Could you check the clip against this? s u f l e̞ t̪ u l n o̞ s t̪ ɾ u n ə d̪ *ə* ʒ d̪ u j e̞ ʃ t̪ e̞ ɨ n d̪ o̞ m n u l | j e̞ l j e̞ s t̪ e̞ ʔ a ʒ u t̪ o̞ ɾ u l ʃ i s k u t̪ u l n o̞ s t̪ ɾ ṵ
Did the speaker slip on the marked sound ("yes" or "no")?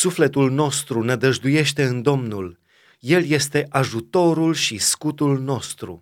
no